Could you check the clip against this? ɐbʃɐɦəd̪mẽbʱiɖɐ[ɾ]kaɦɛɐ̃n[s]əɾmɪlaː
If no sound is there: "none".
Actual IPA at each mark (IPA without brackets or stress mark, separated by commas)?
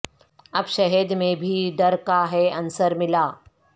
ɾ, s